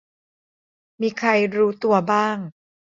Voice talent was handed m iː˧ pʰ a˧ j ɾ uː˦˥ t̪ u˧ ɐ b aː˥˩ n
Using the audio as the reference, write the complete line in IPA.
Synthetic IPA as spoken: m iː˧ kʰ a˧ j ɾ uː˦˥ t̪ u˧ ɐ b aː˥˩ ŋ